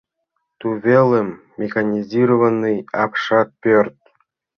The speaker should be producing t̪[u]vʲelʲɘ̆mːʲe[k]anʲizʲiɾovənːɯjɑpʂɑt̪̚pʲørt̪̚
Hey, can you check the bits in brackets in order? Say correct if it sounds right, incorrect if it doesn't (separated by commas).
correct, incorrect